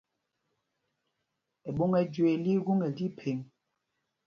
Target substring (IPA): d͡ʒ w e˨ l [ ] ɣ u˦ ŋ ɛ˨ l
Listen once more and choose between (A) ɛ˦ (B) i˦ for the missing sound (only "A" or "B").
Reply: B